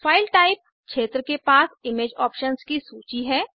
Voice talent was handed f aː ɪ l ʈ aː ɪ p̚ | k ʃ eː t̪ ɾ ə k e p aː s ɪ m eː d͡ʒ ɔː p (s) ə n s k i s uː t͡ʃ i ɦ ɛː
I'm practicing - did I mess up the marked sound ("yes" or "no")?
yes